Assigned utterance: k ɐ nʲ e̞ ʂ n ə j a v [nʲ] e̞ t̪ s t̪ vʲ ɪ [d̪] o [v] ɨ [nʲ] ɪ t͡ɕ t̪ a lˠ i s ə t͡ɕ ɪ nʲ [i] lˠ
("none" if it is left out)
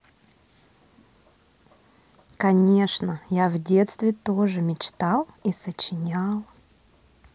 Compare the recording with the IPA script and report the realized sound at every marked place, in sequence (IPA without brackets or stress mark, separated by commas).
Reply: dʲ, t̪, ʐ, mʲ, a